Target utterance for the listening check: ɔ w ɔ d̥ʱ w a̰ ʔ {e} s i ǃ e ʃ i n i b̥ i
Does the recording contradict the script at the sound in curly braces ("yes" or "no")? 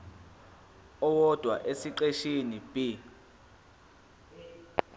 no